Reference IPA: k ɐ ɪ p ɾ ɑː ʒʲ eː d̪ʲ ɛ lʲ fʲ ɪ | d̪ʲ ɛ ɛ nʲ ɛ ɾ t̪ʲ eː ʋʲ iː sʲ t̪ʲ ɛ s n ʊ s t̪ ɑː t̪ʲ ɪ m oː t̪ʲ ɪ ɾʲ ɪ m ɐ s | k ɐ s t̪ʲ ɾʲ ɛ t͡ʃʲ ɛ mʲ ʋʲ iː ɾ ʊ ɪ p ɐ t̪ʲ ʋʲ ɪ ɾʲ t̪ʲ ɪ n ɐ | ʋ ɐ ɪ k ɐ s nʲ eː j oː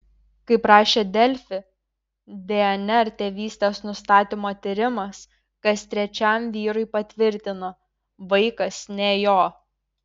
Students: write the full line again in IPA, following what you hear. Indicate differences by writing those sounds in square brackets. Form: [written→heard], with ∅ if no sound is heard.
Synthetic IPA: k ɐ ɪ p ɾ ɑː [ʒʲ→ʃʲ] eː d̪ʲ ɛ lʲ fʲ ɪ | d̪ʲ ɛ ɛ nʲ ɛ ɾ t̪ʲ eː ʋʲ iː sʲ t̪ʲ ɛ s n ʊ s t̪ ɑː t̪ʲ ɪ m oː t̪ʲ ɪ ɾʲ ɪ m ɐ s | k ɐ s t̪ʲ ɾʲ ɛ t͡ʃʲ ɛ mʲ ʋʲ iː ɾ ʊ ɪ p ɐ t̪ʲ ʋʲ ɪ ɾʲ t̪ʲ ɪ n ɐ | ʋ ɐ ɪ k ɐ s nʲ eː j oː